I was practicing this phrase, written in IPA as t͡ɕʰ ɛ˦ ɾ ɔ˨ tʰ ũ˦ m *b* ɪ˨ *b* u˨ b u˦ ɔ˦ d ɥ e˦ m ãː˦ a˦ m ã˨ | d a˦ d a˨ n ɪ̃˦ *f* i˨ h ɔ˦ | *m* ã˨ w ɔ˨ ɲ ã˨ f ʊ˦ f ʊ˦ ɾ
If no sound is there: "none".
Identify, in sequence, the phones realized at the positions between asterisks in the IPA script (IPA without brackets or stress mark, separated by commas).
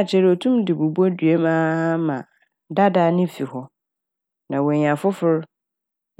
d, b, f, n